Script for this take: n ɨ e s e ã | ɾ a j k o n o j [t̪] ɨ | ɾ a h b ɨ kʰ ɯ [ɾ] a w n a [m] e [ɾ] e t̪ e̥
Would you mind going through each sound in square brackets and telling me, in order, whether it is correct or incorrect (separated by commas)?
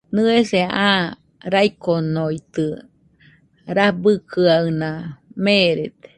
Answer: correct, incorrect, correct, correct